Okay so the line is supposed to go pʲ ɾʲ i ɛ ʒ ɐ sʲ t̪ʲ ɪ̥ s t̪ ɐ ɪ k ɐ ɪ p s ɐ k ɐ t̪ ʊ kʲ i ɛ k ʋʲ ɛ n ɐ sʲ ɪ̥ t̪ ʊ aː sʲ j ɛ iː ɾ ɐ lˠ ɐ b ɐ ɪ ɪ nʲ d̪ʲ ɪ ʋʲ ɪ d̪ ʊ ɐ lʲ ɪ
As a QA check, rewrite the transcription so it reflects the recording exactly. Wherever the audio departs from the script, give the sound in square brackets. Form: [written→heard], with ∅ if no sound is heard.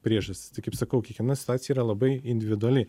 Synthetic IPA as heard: pʲ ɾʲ i ɛ ʒ ɐ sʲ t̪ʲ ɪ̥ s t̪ ɐ ɪ k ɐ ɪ p s ɐ k ɐ [t̪→∅] ʊ kʲ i ɛ k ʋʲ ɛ n ɐ sʲ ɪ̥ t̪ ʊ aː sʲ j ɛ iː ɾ ɐ lˠ ɐ b ɐ ɪ ɪ nʲ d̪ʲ ɪ ʋʲ ɪ d̪ ʊ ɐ lʲ ɪ

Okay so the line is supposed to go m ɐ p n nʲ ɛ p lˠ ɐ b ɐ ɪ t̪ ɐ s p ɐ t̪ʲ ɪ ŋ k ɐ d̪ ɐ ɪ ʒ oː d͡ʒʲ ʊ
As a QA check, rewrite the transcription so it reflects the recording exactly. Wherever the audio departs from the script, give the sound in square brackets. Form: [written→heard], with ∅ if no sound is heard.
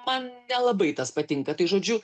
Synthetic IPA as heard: m ɐ [p→∅] n nʲ ɛ [p→∅] lˠ ɐ b ɐ ɪ t̪ ɐ s p ɐ t̪ʲ ɪ ŋ k ɐ [d̪→t̪] ɐ ɪ ʒ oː d͡ʒʲ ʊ

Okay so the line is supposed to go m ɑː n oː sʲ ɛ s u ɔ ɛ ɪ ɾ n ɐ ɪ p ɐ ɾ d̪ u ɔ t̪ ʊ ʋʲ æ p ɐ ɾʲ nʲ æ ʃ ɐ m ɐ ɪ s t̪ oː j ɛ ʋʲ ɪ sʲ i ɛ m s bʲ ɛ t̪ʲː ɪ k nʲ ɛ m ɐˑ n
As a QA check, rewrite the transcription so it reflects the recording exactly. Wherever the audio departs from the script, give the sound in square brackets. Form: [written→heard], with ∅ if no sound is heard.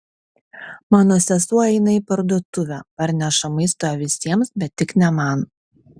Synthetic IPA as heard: m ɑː n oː sʲ ɛ s u ɔ ɛ ɪ [ɾ→∅] n ɐ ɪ p ɐ ɾ d̪ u ɔ t̪ ʊ ʋʲ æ p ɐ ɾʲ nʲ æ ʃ ɐ m ɐ ɪ s t̪ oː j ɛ ʋʲ ɪ sʲ i ɛ m s bʲ ɛ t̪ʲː ɪ k nʲ ɛ m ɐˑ n

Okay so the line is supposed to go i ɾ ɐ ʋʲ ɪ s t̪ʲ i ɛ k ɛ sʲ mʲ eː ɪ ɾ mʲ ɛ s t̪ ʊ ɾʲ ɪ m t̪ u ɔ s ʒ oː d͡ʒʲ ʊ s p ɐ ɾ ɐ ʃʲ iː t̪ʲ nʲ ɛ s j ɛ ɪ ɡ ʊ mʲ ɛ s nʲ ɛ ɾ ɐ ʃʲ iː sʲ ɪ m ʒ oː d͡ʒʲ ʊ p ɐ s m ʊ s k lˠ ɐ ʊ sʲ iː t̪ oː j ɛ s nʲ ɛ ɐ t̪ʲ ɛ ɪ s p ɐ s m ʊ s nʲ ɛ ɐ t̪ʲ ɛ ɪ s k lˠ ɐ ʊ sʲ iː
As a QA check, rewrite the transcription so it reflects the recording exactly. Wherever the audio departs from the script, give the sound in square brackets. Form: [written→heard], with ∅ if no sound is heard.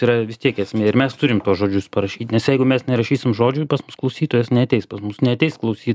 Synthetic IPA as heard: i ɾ ɐ ʋʲ ɪ s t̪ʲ i ɛ k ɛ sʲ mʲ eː ɪ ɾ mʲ ɛ s t̪ ʊ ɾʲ ɪ m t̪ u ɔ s ʒ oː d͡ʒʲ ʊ s p ɐ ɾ ɐ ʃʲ iː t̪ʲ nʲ ɛ s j ɛ ɪ ɡ ʊ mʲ ɛ s nʲ ɛ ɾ ɐ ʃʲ iː sʲ ɪ m ʒ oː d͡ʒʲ ʊ p ɐ s m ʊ s k lˠ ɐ ʊ sʲ iː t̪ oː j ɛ s nʲ ɛ ɐ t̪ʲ ɛ ɪ s p ɐ s m ʊ s nʲ ɛ ɐ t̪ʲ ɛ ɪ s k lˠ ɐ ʊ sʲ iː

